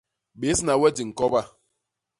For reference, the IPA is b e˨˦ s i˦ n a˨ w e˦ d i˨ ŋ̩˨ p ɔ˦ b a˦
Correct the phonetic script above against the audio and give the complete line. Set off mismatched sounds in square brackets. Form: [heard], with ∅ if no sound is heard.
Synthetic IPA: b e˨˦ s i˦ n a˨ w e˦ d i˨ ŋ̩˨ [k] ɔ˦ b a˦